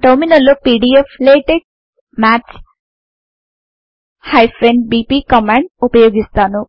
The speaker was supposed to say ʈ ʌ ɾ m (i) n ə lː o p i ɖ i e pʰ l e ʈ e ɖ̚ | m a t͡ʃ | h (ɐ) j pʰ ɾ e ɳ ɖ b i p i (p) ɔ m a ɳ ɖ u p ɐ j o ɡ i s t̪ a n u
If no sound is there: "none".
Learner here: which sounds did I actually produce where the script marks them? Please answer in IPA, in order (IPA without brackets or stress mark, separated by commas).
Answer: i, a, k